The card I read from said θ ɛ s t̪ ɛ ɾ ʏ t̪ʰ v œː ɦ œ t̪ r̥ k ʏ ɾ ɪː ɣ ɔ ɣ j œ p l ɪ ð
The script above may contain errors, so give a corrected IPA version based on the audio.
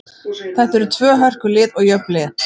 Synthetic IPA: θ ɛ h t̪ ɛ ɾ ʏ t̪ʰ v œː ɦ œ r̥ k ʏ l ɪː ð ɔ ɣ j œ p l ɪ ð